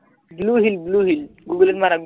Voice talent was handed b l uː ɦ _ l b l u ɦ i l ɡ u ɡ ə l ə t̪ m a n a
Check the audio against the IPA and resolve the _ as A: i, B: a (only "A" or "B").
A